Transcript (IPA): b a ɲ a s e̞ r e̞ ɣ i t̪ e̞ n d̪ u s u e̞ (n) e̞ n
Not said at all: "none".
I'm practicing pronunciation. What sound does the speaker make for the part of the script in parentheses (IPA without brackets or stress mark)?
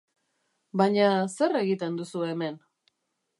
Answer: m